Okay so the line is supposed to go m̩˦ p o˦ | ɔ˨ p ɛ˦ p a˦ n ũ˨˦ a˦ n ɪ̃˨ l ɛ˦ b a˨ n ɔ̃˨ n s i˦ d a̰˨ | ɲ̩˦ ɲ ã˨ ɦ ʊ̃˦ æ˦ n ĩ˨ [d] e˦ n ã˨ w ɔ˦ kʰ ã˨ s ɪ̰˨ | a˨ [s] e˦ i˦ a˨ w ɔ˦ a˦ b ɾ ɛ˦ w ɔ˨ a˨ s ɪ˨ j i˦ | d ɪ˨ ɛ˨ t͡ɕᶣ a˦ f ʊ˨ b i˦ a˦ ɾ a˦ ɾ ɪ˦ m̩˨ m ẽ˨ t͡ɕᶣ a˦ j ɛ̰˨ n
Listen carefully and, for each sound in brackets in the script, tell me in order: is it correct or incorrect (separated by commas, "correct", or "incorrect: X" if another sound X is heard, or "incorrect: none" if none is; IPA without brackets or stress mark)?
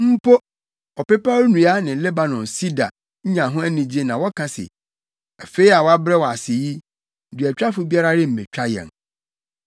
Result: incorrect: d͡ʑ, incorrect: f